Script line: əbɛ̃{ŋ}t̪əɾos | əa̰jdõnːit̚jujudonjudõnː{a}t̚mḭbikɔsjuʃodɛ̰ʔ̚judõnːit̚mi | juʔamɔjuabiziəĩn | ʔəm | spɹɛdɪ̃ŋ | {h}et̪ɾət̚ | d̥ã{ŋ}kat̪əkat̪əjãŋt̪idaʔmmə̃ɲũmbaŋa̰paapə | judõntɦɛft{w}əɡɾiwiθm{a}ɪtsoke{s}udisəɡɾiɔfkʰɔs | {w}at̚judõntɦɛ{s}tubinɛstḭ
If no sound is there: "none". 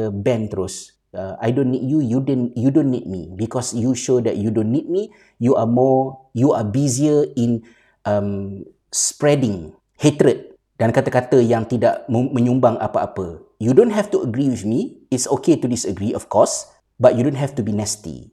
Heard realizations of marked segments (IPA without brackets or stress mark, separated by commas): n, i, h, n, u, i, t, b, f